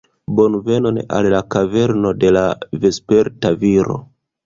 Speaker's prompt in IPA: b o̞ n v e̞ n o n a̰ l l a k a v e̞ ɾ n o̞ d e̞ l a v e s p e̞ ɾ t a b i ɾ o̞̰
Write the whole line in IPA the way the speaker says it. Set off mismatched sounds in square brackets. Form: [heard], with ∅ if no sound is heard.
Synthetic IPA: b o̞ n v e̞ n o n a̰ l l a k a v e̞ ɾ n o̞ d e̞ l a v e s p e̞ ɾ t a [v] i ɾ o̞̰